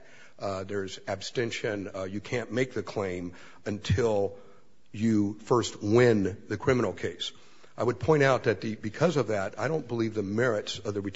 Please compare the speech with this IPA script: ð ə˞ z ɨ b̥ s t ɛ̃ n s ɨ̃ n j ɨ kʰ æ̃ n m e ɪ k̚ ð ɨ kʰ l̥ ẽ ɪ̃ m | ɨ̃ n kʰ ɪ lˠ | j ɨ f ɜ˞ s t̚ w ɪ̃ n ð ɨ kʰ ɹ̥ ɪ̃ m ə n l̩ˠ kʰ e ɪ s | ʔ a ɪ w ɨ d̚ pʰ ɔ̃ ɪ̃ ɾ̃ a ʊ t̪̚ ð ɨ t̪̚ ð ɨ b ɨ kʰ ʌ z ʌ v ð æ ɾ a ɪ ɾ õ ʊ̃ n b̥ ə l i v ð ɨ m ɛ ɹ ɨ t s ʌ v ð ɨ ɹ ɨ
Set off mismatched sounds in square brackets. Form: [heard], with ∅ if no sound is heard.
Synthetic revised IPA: ð ə˞ z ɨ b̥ s t ɛ̃ n [ʃ] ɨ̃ n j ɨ kʰ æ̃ n m e ɪ k̚ ð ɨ kʰ l̥ ẽ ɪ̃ m | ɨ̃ n [tʰ] ɪ lˠ | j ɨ f ɜ˞ s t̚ w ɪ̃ n ð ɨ kʰ ɹ̥ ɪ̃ m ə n l̩ˠ kʰ e ɪ s | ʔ a ɪ w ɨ d̚ pʰ ɔ̃ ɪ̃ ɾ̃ a ʊ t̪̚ ð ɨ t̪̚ ð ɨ b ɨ kʰ ʌ z ʌ v ð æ ɾ a ɪ ɾ õ ʊ̃ n b̥ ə l i v ð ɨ m ɛ ɹ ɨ t s ʌ v ð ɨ ɹ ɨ